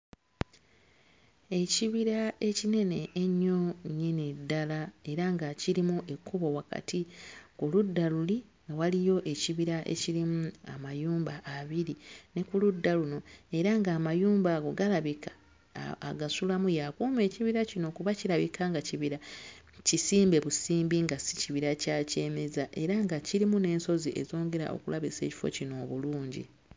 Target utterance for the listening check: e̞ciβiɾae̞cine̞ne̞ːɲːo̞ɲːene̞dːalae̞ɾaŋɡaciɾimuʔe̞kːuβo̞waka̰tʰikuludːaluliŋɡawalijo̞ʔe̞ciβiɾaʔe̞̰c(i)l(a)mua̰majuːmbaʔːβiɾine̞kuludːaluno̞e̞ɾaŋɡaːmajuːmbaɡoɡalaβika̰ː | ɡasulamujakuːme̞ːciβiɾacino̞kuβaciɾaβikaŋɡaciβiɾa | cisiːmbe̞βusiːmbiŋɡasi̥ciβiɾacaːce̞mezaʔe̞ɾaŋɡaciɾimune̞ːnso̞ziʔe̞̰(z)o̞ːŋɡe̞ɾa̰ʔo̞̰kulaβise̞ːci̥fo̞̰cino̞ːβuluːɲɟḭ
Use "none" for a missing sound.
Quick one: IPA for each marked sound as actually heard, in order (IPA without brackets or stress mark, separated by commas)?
i, i, z